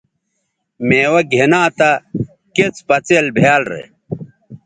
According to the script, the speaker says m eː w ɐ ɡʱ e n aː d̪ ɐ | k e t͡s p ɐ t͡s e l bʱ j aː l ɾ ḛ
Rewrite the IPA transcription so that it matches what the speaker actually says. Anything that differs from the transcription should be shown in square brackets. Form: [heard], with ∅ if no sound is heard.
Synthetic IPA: m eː w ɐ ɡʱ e n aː [t̪] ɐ | k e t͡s p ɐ t͡s e l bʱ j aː l ɾ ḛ